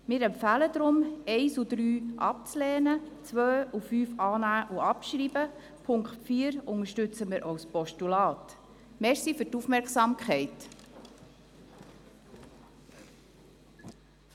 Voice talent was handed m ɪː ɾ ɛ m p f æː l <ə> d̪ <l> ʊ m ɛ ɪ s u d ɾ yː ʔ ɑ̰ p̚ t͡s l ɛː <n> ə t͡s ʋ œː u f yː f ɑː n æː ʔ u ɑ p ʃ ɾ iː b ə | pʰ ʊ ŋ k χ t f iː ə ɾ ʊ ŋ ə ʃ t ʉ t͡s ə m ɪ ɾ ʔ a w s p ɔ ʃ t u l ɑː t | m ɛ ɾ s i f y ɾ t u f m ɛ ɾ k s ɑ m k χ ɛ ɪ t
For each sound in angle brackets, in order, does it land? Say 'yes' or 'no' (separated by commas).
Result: yes, no, yes